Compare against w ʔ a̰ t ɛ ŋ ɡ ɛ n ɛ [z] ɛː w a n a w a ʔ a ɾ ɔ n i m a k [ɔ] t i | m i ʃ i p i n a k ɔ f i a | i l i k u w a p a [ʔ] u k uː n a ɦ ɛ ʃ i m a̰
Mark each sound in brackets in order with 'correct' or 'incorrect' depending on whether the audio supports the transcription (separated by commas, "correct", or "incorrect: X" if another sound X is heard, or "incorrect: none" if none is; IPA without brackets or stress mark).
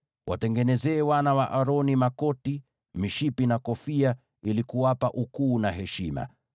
correct, correct, correct